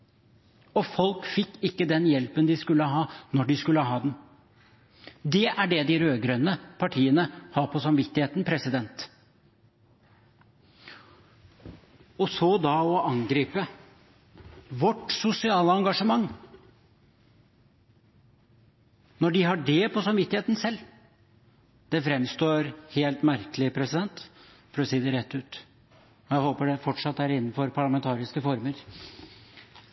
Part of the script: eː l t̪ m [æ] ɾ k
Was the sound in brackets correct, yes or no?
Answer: yes